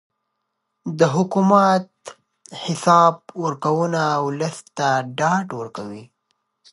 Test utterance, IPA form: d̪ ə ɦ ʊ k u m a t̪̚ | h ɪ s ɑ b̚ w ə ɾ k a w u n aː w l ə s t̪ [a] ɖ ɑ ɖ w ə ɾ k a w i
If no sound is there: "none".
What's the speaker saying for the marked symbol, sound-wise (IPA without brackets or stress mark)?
a